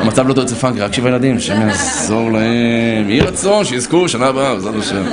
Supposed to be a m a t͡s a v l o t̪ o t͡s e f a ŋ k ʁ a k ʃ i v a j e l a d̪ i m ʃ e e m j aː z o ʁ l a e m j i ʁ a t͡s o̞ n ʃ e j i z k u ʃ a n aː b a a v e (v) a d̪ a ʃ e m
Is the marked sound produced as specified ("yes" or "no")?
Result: no